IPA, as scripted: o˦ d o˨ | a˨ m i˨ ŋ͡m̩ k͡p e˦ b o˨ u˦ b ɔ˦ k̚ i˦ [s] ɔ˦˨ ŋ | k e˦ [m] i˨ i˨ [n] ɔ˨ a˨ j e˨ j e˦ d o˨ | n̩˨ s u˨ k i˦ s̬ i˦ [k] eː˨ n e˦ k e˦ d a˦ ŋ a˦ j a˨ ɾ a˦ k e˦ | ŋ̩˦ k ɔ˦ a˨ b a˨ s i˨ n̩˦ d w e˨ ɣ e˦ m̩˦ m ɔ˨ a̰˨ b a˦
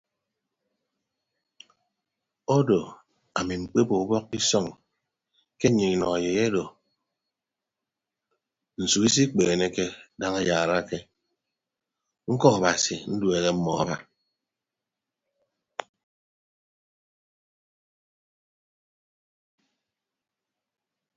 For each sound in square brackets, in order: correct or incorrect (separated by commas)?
correct, incorrect, correct, incorrect